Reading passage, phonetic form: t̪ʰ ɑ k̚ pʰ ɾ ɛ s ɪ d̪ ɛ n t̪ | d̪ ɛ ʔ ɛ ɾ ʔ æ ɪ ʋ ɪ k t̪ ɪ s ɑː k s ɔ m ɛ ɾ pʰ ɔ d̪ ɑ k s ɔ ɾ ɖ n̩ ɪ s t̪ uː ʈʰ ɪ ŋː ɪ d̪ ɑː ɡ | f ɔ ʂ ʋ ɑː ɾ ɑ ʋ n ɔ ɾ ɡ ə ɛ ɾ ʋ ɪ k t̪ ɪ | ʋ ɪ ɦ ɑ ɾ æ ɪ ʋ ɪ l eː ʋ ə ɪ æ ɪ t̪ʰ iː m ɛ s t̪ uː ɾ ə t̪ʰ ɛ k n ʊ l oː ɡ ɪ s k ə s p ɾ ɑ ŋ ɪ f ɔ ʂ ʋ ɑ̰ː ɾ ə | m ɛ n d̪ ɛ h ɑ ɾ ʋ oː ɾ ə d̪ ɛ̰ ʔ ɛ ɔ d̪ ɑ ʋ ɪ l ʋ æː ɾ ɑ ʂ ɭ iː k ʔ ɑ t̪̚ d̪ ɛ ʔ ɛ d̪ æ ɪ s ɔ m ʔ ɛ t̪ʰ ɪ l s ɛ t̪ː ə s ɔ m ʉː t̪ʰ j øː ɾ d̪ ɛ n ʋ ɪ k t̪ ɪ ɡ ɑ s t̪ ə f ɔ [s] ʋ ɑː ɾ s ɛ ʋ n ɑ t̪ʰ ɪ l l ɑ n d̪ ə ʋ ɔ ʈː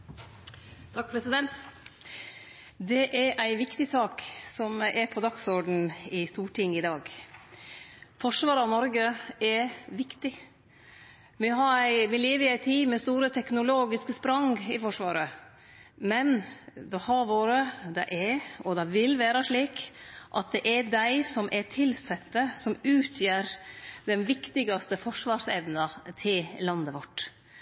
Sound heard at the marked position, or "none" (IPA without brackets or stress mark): ʂ